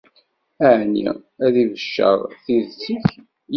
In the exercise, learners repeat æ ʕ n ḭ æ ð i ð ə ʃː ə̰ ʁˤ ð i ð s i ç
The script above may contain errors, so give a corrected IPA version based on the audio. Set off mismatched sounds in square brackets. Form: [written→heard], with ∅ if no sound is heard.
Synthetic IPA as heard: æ ʕ n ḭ æ ð i [ð→v] ə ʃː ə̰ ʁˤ [ð→θ] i ð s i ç

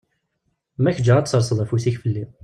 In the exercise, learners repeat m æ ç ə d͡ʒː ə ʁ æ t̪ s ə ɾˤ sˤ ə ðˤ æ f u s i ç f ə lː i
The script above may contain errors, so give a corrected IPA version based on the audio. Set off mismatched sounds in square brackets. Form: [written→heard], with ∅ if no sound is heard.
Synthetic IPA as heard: m æ ç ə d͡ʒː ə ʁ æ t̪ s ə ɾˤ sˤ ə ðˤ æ f u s i ç f ə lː i

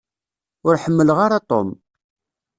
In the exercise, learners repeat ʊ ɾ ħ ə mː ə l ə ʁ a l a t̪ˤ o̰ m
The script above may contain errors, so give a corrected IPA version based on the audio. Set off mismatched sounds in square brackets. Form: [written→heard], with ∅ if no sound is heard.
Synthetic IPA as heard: ʊ ɾ ħ ə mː ə l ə ʁ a [l→ɾ] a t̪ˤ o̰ m

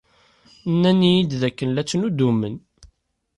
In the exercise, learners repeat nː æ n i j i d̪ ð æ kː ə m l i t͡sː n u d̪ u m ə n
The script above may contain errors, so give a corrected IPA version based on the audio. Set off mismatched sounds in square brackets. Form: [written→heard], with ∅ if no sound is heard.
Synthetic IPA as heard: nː æ n i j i d̪ ð æ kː ə [m→n] l [i→æ] t͡sː n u d̪ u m ə n

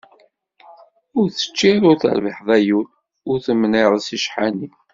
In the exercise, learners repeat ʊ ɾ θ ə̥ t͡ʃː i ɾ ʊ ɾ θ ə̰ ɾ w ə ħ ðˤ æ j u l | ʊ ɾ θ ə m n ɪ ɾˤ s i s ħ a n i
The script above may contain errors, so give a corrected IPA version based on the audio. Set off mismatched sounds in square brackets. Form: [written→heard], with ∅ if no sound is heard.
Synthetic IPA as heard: ʊ ɾ θ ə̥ t͡ʃː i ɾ ʊ ɾ θ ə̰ ɾ [w→v] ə ħ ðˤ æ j u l | ʊ ɾ θ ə m n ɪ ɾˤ s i [s→ʃ] ħ a n i

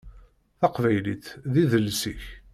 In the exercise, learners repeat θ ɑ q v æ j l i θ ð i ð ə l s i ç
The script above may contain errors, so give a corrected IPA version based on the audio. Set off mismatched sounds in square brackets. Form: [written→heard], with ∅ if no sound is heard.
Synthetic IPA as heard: θ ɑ q v æ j l i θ ð i ð ə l s i ç

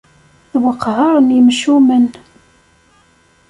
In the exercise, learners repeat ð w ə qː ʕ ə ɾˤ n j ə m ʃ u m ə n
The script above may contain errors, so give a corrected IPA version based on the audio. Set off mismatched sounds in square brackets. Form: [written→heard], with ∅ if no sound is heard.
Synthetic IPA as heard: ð w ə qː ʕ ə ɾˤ n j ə m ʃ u m ə n

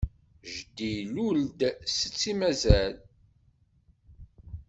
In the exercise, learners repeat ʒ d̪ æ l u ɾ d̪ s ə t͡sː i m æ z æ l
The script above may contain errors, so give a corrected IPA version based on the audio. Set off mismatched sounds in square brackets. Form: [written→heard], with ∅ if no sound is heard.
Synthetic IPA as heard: ʒ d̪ [æ→i] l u [ɾ→l] d̪ s ə t͡sː i m æ z æ l

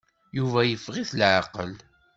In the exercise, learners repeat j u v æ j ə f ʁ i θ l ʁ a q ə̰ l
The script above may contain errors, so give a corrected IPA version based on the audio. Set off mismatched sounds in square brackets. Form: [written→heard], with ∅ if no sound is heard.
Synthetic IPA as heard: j u v æ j ə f ʁ i θ l [ʁ→ʕ] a q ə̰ l

